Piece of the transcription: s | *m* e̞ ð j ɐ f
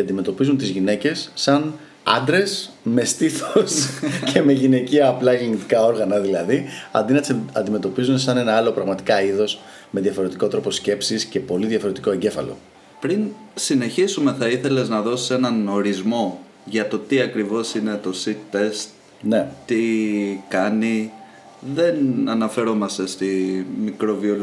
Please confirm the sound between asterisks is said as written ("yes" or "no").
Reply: yes